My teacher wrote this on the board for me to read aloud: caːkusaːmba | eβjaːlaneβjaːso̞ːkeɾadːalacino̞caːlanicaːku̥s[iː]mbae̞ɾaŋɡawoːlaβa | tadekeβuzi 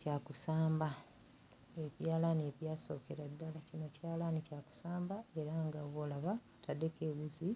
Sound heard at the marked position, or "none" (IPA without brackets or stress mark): aː